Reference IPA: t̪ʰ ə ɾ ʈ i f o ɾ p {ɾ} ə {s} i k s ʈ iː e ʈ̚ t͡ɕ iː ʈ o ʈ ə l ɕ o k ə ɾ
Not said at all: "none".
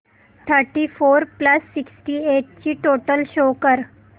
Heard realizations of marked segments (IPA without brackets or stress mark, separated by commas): l, sː